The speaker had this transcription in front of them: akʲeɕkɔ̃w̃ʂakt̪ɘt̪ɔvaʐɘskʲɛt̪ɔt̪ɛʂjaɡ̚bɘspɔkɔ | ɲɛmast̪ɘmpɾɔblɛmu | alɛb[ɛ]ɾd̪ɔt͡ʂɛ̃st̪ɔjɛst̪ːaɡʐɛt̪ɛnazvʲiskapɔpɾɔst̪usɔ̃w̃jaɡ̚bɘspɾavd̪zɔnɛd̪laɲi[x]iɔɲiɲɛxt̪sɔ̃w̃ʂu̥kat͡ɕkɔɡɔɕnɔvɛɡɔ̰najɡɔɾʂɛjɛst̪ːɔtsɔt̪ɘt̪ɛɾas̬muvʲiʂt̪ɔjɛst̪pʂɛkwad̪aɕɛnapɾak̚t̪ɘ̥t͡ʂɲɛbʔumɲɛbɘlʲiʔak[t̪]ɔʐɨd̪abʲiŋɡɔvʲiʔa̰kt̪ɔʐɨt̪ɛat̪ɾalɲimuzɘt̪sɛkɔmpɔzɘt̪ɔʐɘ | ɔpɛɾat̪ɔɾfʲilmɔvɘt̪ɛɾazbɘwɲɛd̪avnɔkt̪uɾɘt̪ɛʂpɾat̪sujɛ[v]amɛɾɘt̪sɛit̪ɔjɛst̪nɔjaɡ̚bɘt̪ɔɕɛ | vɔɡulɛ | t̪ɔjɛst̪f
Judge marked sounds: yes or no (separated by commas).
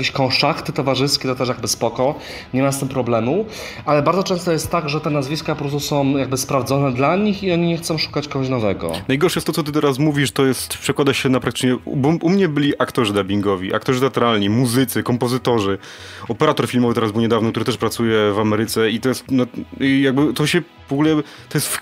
no, yes, yes, yes